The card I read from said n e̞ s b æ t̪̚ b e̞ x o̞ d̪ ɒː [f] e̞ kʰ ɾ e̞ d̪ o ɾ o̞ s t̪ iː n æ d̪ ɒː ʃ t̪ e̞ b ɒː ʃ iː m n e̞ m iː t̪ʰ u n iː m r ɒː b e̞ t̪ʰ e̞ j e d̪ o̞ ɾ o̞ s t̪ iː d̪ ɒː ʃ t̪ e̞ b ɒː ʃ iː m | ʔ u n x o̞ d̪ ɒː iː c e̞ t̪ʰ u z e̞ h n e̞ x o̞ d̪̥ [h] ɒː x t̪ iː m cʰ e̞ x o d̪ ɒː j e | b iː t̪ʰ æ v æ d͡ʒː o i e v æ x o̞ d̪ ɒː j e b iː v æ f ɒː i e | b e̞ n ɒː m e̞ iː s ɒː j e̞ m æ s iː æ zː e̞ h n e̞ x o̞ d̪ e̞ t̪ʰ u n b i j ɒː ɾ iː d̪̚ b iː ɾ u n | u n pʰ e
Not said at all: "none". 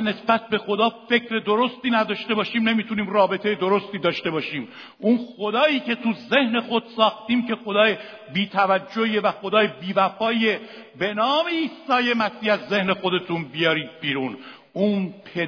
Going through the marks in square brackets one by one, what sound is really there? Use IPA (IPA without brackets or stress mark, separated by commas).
f, s